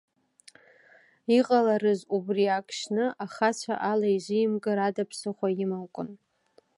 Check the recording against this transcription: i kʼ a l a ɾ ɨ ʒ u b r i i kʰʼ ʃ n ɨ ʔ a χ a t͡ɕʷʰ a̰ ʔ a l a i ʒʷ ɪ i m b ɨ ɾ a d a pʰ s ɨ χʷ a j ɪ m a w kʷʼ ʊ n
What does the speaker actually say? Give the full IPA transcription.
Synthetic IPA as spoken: i qʼ a l a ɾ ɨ z u b r i a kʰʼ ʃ n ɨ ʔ a χ a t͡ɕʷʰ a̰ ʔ a l a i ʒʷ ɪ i m ɡ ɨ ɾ a d a pʰ s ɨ χʷ a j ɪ m a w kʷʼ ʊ n